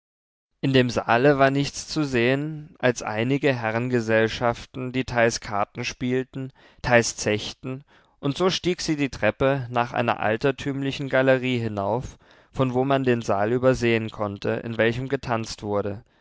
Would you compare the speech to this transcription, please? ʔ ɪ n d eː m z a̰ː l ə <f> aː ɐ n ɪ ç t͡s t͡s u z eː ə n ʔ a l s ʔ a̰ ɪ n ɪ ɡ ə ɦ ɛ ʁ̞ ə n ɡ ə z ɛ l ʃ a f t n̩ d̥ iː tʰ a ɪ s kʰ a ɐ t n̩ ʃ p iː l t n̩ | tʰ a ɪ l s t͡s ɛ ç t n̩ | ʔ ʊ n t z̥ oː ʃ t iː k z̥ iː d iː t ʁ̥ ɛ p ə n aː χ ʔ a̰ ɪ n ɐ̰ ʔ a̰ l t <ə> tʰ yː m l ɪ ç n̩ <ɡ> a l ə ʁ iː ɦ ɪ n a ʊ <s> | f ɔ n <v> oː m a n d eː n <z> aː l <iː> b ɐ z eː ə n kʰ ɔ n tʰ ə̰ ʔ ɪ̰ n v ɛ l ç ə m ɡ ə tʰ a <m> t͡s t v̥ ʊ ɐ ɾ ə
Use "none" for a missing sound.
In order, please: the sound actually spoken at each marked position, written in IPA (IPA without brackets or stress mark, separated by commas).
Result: v, ɐ, ɡ, f, v, z, yː, n